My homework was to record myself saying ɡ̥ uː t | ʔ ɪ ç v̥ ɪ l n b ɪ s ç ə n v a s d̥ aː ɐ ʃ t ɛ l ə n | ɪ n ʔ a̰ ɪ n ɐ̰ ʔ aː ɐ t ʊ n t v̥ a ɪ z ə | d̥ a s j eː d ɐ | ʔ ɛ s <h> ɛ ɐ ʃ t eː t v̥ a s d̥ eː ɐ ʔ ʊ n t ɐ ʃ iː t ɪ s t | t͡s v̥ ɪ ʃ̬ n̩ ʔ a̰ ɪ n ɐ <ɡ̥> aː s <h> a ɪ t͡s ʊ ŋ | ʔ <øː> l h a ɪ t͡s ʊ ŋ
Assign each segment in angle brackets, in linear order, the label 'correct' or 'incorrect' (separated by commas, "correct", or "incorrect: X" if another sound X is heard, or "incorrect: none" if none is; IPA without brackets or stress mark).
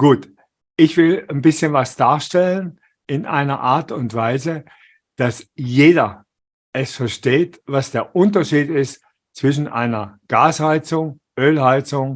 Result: incorrect: f, correct, correct, correct